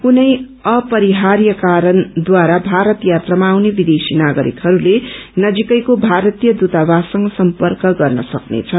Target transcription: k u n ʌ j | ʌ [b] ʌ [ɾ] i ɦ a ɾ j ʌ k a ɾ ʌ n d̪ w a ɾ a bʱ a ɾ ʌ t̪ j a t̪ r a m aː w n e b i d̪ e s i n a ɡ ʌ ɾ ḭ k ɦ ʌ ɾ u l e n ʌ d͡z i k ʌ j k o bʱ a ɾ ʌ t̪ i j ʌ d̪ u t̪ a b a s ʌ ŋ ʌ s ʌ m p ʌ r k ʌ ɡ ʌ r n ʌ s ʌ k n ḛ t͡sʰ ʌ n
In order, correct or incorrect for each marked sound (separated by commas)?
incorrect, correct